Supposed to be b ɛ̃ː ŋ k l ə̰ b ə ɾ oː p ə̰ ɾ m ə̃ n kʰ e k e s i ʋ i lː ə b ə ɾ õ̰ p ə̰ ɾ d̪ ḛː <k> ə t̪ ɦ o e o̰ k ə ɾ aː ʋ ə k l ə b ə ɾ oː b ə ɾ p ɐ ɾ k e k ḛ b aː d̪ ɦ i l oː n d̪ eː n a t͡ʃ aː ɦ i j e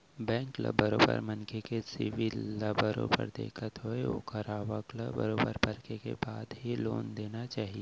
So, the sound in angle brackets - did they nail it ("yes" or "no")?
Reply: no